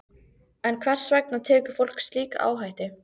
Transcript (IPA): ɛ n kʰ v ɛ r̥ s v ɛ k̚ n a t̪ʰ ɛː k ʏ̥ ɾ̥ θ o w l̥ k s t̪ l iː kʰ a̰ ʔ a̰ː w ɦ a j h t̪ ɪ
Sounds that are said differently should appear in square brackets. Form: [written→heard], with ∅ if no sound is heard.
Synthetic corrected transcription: ɛ n kʰ v ɛ r̥ s v ɛ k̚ n a t̪ʰ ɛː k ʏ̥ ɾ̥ [θ→f] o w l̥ k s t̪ l iː [kʰ→k] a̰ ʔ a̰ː w ɦ a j h t̪ ɪ

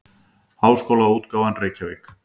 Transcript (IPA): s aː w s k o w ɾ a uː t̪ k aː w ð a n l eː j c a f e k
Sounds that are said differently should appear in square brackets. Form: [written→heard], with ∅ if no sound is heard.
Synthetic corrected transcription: [s→h] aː w s k o w [ɾ→l] a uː t̪ k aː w [ð→v] a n [l→r] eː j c a [f→v] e k

